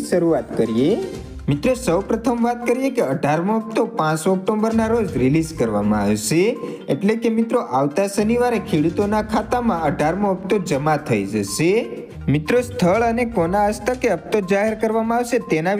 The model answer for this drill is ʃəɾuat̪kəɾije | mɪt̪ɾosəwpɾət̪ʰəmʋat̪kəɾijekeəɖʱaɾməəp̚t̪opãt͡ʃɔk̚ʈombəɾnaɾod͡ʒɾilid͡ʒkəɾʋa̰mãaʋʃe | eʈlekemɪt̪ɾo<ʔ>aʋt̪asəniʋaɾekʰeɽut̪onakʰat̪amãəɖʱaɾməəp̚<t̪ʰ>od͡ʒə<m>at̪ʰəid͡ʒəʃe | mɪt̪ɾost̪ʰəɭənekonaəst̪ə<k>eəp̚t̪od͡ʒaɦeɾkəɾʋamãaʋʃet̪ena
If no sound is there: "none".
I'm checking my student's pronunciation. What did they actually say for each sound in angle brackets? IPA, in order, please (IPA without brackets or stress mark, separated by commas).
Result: ʔ, t̪, m, k